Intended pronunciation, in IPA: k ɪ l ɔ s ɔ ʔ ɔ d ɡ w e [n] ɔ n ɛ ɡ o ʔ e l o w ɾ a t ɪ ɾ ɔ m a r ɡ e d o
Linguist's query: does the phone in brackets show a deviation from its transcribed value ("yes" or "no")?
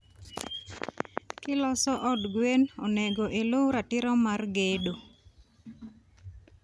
no